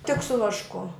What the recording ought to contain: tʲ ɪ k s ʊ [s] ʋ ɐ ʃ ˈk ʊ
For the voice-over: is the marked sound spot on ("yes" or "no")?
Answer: no